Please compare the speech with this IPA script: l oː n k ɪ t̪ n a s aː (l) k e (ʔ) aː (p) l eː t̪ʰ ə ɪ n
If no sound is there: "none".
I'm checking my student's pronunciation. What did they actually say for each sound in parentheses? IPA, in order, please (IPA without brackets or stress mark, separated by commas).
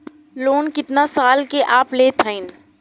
l, ʔ, p